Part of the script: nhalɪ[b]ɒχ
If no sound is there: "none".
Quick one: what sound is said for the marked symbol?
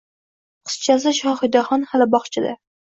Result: b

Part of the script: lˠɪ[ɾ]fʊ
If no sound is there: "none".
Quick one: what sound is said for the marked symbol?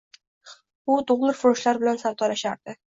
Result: ɾ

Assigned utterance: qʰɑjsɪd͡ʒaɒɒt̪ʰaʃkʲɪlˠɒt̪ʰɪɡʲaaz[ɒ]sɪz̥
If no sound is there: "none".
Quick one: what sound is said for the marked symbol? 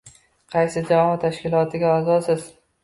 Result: ɒ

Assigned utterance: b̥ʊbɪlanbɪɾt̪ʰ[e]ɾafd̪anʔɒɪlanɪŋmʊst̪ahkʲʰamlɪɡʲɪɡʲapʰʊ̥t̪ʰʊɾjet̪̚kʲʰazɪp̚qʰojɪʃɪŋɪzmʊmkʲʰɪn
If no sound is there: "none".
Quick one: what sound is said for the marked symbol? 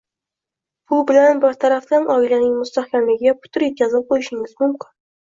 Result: a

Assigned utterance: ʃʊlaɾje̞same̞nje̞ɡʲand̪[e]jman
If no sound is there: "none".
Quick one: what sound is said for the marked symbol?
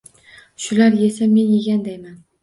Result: a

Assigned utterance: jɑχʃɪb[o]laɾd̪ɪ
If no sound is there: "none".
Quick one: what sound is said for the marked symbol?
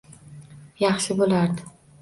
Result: o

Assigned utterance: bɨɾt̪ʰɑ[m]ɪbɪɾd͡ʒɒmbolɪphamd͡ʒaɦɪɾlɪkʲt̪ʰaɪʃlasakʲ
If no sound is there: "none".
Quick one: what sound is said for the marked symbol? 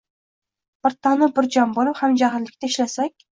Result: n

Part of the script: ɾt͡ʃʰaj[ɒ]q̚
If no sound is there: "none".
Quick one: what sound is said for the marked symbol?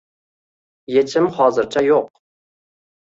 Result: o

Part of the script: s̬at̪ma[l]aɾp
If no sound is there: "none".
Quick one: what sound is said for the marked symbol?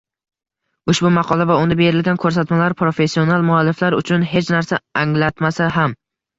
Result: l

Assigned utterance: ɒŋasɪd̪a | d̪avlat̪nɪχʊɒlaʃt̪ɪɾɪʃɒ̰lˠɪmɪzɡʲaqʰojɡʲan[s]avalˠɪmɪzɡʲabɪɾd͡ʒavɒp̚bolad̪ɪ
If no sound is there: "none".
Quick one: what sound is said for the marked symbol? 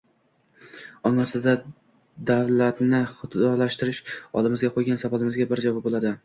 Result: s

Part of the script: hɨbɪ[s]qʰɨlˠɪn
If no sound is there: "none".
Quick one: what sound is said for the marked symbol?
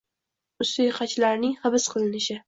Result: s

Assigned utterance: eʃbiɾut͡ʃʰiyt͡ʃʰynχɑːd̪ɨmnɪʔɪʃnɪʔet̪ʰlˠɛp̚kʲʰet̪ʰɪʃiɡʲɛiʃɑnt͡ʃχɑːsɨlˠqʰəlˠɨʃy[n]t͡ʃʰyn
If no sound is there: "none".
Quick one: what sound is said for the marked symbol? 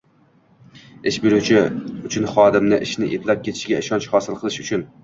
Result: none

